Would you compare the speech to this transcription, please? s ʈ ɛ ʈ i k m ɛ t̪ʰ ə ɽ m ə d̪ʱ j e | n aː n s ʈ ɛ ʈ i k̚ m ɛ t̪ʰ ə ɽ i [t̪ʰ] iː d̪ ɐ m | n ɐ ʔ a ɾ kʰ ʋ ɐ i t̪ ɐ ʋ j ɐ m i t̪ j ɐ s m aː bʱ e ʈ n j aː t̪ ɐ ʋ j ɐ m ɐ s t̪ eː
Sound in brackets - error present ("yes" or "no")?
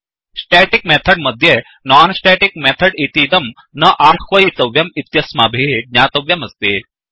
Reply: yes